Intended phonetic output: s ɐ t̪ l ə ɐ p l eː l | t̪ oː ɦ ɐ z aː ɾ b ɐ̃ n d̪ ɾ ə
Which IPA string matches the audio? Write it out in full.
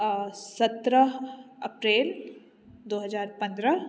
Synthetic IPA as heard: s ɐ t̪ ɾ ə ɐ p ɾ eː l | d̪ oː ɦ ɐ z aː ɾ p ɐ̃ n d̪ ɾ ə